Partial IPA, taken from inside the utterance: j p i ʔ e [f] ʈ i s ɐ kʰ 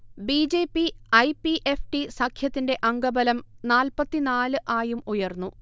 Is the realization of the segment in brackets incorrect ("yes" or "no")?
no